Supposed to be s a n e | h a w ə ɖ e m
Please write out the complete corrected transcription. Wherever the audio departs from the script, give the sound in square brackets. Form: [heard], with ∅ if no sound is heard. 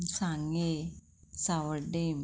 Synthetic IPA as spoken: s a [ŋ] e | [s] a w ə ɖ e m